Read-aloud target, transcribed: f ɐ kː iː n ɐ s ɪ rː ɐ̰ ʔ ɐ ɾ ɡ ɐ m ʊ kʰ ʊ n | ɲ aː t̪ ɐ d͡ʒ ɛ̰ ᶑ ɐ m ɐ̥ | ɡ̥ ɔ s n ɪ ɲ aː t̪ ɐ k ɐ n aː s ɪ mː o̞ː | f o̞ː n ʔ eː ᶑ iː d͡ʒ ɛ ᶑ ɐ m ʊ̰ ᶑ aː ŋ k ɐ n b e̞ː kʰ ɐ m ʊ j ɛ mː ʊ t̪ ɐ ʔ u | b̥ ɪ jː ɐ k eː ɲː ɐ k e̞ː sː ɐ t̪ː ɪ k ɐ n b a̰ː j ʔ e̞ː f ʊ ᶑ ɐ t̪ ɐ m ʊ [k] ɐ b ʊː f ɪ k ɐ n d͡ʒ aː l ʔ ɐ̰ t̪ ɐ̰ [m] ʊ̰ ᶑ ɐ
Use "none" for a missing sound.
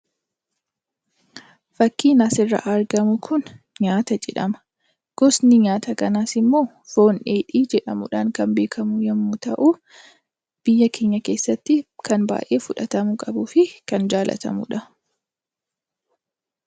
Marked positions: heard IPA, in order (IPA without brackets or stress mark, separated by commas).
kʼ, m